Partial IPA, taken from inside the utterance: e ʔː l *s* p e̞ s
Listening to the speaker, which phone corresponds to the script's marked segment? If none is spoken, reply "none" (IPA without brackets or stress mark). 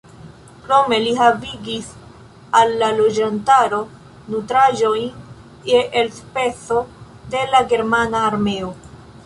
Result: s